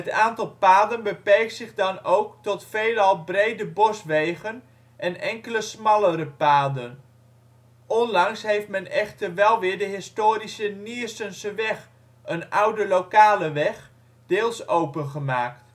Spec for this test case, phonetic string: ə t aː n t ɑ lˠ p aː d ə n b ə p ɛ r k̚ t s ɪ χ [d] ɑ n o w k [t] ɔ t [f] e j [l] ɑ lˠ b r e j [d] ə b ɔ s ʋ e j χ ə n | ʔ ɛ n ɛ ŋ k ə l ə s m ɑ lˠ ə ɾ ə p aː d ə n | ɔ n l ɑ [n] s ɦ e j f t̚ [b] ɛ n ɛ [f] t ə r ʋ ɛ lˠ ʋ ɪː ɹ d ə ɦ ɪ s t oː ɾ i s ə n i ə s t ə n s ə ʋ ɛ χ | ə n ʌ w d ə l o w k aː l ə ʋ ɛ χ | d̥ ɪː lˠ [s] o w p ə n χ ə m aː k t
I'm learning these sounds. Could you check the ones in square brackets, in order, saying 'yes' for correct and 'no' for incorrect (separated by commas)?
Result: yes, yes, yes, yes, yes, no, no, no, yes